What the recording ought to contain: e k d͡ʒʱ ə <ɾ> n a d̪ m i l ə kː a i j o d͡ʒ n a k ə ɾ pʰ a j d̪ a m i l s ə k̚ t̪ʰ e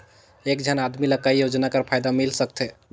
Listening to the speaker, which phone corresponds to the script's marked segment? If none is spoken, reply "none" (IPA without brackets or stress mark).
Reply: none